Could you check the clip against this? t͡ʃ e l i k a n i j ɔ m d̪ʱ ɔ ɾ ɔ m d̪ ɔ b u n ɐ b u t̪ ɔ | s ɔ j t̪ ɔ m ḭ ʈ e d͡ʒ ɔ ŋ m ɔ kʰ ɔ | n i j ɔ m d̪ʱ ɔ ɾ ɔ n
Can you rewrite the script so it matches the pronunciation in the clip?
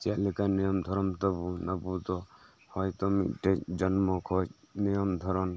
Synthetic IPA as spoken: t͡ʃ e l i k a n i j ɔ m d̪ʱ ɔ ɾ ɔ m t̪ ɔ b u n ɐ b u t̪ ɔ | h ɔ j t̪ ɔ m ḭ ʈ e d͡ʒ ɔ n m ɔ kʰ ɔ | n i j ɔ m d̪ʱ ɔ ɾ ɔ n